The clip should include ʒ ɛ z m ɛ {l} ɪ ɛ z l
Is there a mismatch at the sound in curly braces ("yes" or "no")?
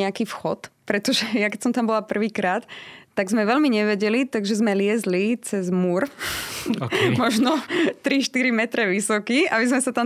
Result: no